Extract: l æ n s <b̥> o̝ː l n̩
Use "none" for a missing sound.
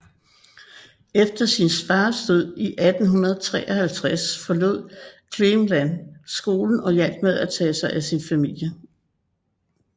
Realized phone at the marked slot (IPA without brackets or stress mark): ɡ̥